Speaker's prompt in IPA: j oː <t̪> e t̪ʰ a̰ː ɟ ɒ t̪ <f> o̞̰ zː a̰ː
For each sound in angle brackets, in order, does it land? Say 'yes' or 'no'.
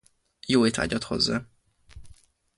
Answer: no, no

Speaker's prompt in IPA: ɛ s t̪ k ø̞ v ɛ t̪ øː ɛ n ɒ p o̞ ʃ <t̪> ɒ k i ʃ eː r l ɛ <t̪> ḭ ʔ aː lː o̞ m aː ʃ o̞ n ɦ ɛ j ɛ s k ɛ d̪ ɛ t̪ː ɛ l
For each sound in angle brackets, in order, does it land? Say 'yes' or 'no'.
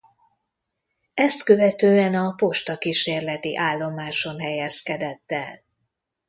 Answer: yes, yes

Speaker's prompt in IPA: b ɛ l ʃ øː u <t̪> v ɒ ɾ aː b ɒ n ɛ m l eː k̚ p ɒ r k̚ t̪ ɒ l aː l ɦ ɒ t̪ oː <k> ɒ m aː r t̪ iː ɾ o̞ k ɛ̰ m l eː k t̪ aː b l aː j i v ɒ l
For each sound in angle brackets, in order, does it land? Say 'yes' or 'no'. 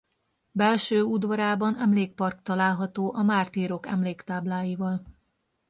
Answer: no, no

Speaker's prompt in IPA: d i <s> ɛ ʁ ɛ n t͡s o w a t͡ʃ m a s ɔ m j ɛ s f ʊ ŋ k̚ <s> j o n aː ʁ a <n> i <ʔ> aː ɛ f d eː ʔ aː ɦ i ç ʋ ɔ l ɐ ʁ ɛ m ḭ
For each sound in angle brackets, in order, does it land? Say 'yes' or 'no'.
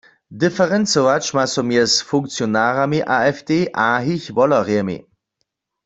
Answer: no, no, no, yes

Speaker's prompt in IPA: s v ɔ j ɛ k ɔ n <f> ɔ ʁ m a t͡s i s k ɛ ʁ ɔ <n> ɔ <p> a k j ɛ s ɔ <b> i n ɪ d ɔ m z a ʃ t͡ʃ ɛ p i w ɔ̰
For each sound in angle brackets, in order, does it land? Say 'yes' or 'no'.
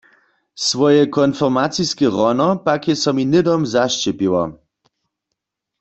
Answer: yes, yes, yes, no

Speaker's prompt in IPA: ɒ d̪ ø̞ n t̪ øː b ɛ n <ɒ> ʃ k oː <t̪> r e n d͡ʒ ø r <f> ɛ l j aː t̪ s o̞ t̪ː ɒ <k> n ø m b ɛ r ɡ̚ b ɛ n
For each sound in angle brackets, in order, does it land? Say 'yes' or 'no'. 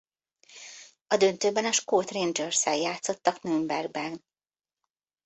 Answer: yes, yes, no, yes

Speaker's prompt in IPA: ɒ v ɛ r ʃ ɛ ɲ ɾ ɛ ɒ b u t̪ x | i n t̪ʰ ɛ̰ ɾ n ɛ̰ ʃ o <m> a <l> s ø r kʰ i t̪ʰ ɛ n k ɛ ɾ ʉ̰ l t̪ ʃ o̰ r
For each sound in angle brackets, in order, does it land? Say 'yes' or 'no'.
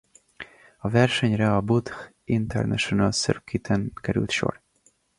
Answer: no, yes

